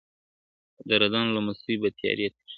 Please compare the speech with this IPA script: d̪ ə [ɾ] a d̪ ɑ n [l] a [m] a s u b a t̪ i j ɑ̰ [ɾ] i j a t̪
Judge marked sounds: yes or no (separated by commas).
yes, yes, yes, yes